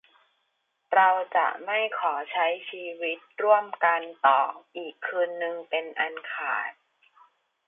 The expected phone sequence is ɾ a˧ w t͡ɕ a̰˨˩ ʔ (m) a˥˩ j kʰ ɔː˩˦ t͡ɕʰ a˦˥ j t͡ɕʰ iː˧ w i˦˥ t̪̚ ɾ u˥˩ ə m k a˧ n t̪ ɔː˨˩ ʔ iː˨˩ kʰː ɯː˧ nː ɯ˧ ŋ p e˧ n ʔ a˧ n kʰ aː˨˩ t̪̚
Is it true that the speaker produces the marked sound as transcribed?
yes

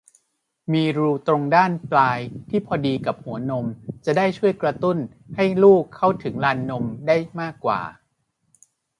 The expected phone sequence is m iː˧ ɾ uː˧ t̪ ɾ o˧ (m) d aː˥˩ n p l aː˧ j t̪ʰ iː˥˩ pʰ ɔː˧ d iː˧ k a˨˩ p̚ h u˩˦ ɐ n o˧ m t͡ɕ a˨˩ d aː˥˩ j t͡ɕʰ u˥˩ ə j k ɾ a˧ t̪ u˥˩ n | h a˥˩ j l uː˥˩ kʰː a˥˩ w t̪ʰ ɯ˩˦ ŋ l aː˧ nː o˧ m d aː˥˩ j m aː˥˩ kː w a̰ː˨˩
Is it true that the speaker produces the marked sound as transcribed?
no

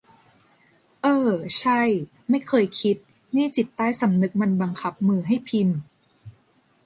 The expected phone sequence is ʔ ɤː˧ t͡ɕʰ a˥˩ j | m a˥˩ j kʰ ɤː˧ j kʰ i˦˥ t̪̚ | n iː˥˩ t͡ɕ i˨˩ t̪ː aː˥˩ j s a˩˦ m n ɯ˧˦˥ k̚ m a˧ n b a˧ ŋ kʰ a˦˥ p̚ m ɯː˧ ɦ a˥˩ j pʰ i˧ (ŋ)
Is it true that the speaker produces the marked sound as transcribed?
no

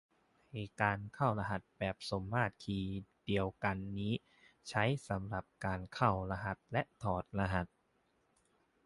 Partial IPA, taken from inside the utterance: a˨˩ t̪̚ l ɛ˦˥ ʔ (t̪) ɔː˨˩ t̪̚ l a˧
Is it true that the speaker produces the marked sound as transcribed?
no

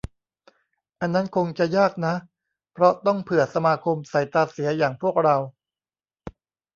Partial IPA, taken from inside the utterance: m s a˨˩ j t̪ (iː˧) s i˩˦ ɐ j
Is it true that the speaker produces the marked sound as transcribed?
no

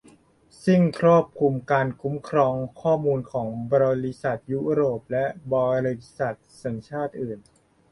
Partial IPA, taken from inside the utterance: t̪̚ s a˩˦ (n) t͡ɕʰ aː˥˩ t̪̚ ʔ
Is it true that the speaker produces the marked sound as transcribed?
no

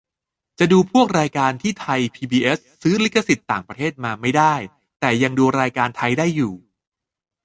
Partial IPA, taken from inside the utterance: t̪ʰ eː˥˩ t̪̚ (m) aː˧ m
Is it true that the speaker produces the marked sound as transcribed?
yes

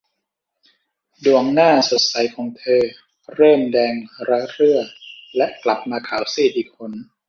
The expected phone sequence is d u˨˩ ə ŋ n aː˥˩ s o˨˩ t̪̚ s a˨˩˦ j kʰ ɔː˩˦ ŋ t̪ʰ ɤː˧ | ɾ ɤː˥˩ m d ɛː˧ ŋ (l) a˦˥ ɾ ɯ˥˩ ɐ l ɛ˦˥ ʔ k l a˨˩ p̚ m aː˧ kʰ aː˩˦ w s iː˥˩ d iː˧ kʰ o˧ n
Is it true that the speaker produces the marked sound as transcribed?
no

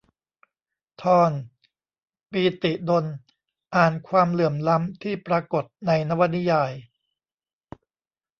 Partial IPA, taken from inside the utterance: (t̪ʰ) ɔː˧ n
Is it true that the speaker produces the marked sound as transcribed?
yes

